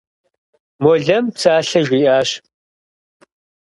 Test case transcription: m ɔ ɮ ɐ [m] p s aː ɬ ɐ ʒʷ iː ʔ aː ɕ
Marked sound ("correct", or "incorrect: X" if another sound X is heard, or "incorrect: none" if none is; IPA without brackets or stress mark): correct